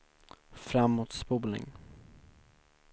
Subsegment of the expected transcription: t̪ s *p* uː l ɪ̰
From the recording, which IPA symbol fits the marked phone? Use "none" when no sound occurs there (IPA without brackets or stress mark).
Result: p